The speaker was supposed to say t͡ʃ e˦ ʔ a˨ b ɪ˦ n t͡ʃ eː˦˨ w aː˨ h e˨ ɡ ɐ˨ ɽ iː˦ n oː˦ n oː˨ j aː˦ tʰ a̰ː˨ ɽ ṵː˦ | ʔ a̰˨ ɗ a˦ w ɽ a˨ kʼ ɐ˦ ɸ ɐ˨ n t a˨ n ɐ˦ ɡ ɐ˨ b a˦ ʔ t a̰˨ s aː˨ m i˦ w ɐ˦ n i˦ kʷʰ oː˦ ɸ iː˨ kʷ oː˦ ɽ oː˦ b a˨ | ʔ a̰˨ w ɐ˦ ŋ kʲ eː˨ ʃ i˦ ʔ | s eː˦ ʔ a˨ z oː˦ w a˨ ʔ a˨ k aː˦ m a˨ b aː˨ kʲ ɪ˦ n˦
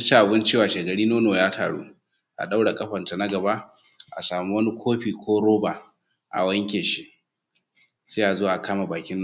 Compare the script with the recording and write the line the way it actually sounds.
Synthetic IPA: t͡ʃ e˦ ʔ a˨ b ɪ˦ n t͡ʃ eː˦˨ w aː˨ ʃ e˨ ɡ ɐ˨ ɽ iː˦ n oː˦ n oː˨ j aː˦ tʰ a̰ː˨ ɽ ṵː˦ | ʔ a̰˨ ɗ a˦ w ɽ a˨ kʼ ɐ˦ ɸ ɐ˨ n t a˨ n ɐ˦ ɡ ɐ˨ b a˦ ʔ ʔ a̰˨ s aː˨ m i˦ w ɐ˦ n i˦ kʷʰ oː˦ ɸ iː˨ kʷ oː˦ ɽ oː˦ b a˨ | ʔ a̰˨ w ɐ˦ ŋ kʲ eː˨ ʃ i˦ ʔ | s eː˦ ʔ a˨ z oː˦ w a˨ ʔ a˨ k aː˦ m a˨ b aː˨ kʲ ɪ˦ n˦